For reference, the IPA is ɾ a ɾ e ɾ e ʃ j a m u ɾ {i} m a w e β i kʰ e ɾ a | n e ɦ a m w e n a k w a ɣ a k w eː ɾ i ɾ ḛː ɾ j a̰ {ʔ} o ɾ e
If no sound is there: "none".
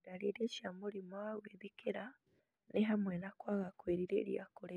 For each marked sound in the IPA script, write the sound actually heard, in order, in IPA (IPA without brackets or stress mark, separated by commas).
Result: i, k